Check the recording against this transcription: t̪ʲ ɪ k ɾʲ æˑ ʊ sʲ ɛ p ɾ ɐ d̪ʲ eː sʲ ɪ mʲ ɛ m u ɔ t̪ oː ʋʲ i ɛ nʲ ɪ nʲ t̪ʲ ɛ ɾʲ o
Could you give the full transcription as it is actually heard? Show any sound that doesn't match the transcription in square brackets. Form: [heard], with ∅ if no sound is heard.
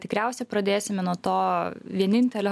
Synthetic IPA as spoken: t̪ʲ ɪ k ɾʲ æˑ ʊ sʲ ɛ p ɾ ɐ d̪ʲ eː sʲ ɪ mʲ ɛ [n] u ɔ t̪ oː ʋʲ i ɛ nʲ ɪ nʲ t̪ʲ ɛ [lʲ] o